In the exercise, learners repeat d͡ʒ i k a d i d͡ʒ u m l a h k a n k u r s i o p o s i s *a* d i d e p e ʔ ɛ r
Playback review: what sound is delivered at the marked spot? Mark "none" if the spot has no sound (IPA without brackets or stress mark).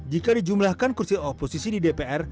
i